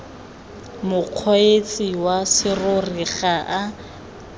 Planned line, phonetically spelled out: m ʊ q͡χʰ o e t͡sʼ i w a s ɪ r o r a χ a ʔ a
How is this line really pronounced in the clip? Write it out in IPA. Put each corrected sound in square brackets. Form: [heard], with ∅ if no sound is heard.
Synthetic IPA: m ʊ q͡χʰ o e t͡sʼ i w a s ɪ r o r [i] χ a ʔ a